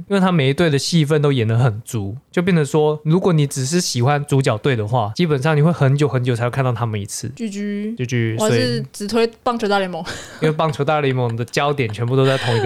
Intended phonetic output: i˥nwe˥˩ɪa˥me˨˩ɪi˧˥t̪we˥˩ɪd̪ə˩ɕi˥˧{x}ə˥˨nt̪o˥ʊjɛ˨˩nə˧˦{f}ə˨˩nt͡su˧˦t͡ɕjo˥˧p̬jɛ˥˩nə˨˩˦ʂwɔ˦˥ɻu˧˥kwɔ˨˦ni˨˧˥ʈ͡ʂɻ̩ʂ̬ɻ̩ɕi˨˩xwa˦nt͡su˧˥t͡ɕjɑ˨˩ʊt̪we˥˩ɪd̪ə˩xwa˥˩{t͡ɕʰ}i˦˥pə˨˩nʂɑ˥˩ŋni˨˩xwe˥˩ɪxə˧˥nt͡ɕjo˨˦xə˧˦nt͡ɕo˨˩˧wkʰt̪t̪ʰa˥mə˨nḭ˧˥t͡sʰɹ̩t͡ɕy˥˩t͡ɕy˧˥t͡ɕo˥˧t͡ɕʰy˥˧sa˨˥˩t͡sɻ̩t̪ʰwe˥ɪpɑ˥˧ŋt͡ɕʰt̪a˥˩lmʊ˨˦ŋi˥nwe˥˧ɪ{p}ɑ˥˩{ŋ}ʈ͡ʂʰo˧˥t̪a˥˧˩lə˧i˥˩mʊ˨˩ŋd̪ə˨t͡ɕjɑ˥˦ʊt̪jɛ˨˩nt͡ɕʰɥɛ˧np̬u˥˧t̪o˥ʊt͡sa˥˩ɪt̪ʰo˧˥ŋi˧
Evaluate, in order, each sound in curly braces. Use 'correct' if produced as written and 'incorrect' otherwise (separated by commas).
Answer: incorrect, incorrect, incorrect, correct, correct